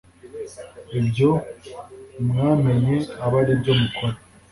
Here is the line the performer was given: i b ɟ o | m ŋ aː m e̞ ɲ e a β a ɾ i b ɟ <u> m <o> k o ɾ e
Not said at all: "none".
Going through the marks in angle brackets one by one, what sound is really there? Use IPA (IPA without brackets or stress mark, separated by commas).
o, u